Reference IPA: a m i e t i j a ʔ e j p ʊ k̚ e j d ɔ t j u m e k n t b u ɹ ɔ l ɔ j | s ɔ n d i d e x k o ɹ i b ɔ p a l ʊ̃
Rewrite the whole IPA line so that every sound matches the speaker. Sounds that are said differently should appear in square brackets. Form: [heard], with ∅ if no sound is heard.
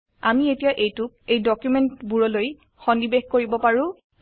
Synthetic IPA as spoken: a m i e t i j a ʔ e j [t] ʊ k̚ e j d ɔ [k] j u m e [∅] n t b u ɹ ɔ l [o] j | [x] ɔ n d i [b] e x k o ɹ i b ɔ p a [ɹ] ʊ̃